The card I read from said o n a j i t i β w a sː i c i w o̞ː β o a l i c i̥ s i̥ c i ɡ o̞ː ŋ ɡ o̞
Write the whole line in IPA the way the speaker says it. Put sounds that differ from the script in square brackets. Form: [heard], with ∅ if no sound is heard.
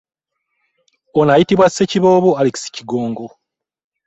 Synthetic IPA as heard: o n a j i t i β w a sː [e] c i [β] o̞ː β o a l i [k] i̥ s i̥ c i ɡ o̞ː ŋ ɡ o̞